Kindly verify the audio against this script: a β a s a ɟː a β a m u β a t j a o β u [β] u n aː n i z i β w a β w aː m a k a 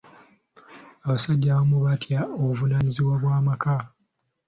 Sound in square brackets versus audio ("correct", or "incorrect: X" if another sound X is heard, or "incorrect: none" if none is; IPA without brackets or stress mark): incorrect: v